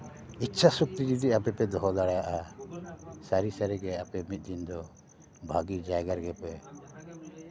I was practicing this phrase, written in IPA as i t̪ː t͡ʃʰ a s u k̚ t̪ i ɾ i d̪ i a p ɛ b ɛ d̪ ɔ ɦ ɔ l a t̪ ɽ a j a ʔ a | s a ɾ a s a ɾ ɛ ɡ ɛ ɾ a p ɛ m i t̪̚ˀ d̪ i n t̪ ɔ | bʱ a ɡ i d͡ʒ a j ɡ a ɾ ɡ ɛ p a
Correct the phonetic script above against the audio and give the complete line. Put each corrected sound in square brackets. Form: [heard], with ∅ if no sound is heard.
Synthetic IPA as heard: i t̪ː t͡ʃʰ a s u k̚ t̪ i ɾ i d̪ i a p ɛ [p] ɛ d̪ ɔ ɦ ɔ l a [∅] ɽ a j a ʔ a | s a ɾ [i] s a ɾ ɛ ɡ ɛ [∅] a p ɛ m i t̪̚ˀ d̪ i n [d̪] ɔ | bʱ a ɡ i d͡ʒ a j ɡ a ɾ ɡ ɛ p [ɛ]

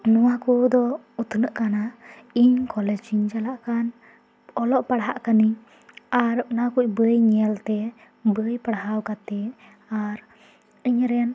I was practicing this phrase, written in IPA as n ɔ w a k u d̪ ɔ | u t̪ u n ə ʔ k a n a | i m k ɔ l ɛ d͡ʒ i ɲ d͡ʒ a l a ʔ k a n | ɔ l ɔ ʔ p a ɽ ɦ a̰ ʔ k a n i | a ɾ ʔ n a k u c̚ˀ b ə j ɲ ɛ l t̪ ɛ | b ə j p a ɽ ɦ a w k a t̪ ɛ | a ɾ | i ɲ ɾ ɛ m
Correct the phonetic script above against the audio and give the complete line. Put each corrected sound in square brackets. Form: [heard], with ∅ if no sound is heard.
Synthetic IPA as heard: n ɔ w a k u d̪ ɔ | u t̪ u n ə ʔ k a n a | i [ɲ] k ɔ l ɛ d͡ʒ i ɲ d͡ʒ a l a ʔ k a n | ɔ l ɔ ʔ p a ɽ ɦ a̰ ʔ k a n i | a ɾ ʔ n a k u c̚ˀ b ə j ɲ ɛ l t̪ ɛ | b ə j p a ɽ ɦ a w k a t̪ ɛ | a ɾ | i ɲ ɾ ɛ [n]

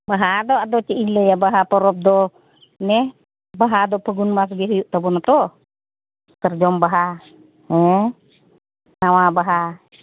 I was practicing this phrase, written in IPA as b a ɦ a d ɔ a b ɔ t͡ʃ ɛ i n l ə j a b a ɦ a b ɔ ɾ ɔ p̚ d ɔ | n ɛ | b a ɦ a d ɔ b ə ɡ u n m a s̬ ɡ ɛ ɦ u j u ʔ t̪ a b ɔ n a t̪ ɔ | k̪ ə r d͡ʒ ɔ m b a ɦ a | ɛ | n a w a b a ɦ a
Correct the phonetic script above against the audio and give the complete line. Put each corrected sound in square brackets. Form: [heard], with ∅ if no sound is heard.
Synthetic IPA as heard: b a ɦ a d ɔ a [d] ɔ t͡ʃ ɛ i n l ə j a b a ɦ a [p] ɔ ɾ ɔ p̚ d ɔ | n ɛ | b a ɦ a d ɔ [p] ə ɡ u n m a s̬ ɡ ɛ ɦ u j u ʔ t̪ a b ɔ n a t̪ ɔ | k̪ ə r d͡ʒ ɔ m b a ɦ a | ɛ | n a w a b a ɦ a

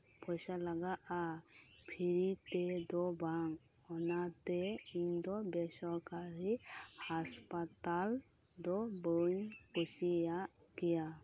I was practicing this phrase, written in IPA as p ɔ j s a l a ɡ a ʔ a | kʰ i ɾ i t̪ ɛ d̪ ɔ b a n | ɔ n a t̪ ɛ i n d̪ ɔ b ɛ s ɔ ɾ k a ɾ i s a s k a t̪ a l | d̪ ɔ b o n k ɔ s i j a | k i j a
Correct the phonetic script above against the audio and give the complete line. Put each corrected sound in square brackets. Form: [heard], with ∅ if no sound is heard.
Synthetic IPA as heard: p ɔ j s a l a ɡ a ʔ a | [pʰ] i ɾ i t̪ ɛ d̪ ɔ b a [ŋ] | ɔ n a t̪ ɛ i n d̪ ɔ b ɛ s ɔ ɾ k a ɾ i [h] a s [p] a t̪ a l | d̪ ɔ b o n k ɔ s i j a | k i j a

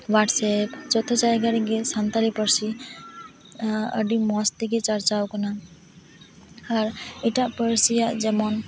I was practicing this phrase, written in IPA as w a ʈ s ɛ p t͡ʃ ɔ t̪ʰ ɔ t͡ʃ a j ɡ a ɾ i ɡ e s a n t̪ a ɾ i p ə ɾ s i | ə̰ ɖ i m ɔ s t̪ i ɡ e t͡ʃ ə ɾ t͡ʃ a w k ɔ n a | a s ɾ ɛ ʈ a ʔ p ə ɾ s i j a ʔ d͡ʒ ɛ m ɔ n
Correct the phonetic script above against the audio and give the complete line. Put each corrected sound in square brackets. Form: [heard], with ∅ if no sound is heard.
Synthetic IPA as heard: w a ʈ s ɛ p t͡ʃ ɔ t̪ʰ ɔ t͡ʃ a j ɡ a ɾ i ɡ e s a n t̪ a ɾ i p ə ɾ s i | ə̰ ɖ i m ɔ s t̪ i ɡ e t͡ʃ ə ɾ t͡ʃ a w k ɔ n a | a [∅] ɾ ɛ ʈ a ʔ p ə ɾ s i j a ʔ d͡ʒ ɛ m ɔ n

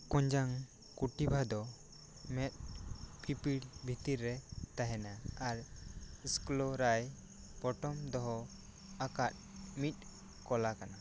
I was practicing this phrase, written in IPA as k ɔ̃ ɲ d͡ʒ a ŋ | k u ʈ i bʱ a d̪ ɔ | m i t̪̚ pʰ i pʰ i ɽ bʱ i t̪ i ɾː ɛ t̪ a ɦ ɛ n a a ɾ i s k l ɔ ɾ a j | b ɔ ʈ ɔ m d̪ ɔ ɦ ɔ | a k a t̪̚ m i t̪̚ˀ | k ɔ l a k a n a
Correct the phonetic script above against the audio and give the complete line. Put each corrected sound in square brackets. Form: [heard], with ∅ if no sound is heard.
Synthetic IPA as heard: k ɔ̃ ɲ d͡ʒ a ŋ | k u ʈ i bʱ a d̪ ɔ | m [ɛ] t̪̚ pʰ i [p] i ɽ bʱ i t̪ i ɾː ɛ t̪ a ɦ ɛ n a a ɾ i s k l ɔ ɾ a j | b ɔ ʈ ɔ m d̪ ɔ ɦ ɔ | a k a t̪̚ m i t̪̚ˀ | k ɔ l a k a n a

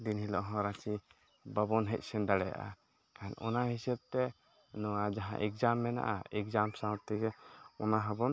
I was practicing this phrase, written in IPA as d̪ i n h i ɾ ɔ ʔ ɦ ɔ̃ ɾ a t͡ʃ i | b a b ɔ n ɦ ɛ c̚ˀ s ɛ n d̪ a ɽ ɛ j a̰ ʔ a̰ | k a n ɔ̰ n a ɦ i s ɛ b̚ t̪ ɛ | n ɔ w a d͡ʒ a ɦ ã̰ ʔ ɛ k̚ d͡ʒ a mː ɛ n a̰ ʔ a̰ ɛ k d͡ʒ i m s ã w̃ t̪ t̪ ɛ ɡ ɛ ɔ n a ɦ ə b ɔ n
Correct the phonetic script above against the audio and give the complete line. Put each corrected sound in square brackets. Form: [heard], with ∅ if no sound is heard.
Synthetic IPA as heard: d̪ i n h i [l] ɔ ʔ ɦ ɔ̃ ɾ a t͡ʃ i | b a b ɔ n ɦ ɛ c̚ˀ s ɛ n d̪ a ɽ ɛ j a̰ ʔ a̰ | k a n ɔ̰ n a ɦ i s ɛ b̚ t̪ ɛ | n ɔ w a d͡ʒ a ɦ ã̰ ʔ ɛ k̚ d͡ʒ a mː ɛ n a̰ ʔ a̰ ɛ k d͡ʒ [a] m s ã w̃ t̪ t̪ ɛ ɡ ɛ ɔ n a ɦ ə b ɔ n

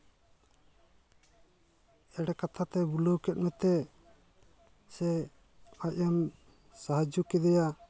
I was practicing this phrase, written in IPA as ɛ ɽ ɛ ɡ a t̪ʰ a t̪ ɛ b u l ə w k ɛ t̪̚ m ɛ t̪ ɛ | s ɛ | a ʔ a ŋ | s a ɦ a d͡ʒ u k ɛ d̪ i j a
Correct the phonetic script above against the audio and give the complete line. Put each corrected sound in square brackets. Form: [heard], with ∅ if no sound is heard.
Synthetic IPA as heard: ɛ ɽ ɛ [k] a t̪ʰ a t̪ ɛ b u l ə w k ɛ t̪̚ m ɛ t̪ ɛ | s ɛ | a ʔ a [m] | s a ɦ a d͡ʒ u k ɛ d̪ [ɛ] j a

